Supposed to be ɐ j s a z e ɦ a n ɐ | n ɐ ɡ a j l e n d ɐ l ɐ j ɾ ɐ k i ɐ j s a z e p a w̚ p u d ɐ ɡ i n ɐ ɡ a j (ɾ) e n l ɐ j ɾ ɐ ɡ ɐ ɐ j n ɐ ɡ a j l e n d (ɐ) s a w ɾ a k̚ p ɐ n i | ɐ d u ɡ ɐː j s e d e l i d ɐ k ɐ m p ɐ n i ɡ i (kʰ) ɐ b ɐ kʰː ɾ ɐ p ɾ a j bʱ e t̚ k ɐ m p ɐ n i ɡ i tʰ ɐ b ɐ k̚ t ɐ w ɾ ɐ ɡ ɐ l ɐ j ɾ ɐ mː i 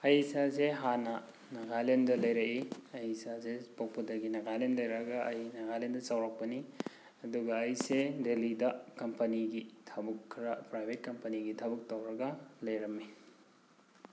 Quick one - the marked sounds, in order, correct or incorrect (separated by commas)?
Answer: incorrect, correct, incorrect